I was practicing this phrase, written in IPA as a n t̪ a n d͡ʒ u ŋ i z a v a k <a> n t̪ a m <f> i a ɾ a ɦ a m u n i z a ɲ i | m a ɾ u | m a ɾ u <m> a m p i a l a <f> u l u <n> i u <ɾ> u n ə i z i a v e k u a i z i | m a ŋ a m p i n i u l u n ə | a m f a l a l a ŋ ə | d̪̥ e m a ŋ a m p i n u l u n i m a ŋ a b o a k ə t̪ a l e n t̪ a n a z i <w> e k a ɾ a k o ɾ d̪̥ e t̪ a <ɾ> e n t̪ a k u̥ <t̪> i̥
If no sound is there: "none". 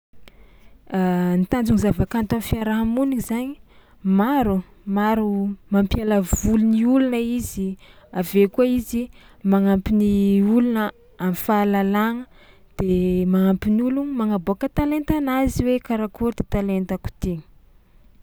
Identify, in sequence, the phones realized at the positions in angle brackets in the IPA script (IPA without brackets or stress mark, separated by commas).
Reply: a, f, m, v, n, l, w, l, t̪